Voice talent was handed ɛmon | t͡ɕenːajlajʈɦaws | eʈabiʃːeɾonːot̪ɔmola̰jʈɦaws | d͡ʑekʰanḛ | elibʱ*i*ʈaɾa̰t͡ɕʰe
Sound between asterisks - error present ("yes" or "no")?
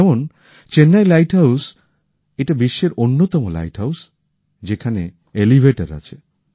yes